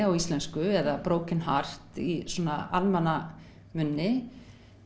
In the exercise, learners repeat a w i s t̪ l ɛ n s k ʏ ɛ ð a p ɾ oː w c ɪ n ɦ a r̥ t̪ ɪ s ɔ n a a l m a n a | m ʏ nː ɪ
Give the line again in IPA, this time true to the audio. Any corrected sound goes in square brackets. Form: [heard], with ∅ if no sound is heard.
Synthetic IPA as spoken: a w i s t̪ l ɛ n s k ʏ ɛ ð a p ɾ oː w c ɪ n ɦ a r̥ t̪ [i] s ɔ n a a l m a n a | m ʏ nː ɪ

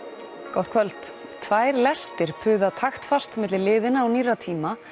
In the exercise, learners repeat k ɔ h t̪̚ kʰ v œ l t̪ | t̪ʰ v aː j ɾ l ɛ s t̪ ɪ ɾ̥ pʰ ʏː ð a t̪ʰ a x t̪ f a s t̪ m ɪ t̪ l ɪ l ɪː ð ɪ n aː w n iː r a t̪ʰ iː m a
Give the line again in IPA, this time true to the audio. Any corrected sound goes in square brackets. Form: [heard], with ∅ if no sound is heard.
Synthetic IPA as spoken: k ɔ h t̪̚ kʰ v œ l t̪ | t̪ʰ v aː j ɾ l ɛ s t̪ ɪ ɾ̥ pʰ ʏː ð a t̪ʰ a x t̪ f a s t̪ m ɪ t̪ l ɪ l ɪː ð ɪ n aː w n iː r a t̪ʰ iː m a

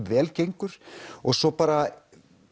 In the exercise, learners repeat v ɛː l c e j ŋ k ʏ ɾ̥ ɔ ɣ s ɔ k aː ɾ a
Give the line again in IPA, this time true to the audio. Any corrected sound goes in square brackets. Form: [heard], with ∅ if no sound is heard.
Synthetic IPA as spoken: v ɛː l c e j ŋ k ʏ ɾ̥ ɔ ɣ s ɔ [p] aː ɾ a

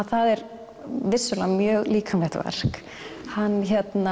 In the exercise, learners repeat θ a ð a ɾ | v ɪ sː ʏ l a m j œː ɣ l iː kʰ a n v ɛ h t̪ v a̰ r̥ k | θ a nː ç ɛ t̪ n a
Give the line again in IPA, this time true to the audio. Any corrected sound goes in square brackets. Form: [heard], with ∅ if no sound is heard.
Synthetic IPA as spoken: θ a ð [ɛ] ɾ | v ɪ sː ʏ l a m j œː ɣ l iː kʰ a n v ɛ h t̪ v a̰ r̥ k | [h] a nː ç ɛ t̪ n a

